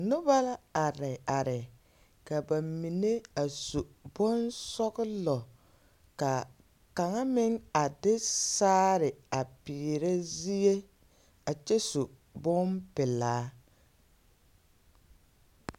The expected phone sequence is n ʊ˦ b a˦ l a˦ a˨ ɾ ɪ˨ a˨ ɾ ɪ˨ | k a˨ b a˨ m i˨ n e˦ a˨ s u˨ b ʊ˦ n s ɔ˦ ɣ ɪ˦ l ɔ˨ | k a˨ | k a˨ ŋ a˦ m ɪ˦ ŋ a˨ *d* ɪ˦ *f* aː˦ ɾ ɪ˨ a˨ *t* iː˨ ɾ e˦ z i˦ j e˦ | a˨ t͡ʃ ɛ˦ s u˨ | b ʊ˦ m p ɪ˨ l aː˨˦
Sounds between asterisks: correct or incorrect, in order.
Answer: correct, incorrect, incorrect

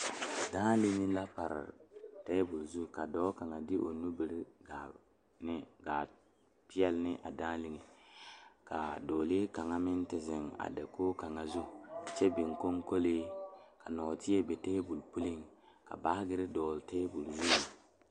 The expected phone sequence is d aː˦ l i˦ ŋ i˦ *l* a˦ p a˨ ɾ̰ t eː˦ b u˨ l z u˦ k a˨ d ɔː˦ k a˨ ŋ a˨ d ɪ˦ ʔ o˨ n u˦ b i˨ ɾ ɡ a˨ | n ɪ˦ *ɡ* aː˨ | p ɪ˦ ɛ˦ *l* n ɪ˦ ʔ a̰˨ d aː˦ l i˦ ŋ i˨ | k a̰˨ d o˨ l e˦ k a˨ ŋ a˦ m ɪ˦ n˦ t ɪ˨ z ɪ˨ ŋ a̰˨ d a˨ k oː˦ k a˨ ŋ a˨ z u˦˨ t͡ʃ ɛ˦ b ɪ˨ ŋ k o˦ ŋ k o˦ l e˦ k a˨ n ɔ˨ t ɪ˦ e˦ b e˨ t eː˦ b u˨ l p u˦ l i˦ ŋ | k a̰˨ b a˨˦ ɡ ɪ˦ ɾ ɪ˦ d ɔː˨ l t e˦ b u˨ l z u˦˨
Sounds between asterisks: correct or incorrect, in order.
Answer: correct, correct, correct

